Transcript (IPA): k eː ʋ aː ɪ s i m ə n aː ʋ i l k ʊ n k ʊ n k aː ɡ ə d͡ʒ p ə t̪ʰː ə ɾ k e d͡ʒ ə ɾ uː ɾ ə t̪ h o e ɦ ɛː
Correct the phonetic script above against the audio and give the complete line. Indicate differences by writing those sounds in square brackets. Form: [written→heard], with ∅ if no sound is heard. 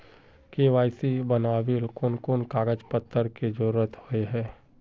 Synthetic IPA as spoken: k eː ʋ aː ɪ s i [m→b] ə n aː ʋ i l k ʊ n k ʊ n k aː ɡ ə d͡ʒ p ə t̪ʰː ə ɾ k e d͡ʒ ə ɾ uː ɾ ə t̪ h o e ɦ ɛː